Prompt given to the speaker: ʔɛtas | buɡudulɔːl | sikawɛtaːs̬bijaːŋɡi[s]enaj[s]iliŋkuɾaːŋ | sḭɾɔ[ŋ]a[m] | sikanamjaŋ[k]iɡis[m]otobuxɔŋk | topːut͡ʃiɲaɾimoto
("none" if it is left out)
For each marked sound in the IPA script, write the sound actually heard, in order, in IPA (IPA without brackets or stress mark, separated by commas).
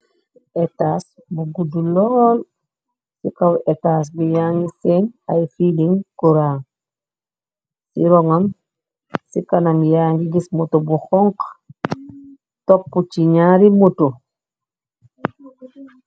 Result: s, f, ŋ, m, ɡ, m